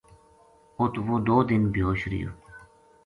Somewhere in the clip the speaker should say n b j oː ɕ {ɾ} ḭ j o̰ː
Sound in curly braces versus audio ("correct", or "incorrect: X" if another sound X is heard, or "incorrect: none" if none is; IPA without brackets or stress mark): correct